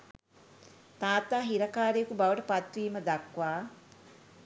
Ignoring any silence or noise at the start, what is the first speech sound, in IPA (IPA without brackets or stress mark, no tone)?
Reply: t̪